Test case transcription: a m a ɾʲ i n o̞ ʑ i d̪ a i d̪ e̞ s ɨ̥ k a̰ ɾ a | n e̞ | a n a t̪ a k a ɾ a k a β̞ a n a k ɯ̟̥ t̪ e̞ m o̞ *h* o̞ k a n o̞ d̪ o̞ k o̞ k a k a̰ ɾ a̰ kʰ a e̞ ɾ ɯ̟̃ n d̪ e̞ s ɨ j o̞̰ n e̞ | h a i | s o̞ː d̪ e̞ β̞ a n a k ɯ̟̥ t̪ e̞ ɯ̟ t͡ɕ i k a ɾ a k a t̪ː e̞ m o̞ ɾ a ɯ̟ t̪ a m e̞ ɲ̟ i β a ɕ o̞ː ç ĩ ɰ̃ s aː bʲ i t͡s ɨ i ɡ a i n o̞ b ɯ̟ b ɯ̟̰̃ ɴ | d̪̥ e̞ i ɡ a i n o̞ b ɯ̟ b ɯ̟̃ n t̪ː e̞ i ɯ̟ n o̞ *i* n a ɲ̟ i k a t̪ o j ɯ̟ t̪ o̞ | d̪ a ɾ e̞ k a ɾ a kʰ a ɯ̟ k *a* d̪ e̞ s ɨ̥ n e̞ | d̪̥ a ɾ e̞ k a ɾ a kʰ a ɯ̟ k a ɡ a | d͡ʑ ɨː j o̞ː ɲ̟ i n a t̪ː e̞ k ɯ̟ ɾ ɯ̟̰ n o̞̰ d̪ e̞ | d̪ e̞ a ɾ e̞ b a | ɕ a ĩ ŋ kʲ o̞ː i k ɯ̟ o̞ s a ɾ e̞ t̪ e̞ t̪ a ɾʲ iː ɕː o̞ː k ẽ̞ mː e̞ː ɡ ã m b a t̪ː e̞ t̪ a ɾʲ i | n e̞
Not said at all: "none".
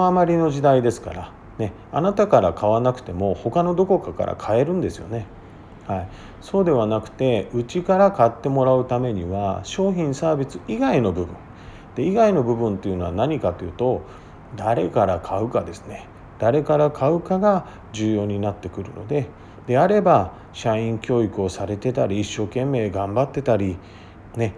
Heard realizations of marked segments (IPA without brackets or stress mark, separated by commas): h, a, a